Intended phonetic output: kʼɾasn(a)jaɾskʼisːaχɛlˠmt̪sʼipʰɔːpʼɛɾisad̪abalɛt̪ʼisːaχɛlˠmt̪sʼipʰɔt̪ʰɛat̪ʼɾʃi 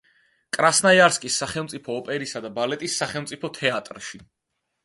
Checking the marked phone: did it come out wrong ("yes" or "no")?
no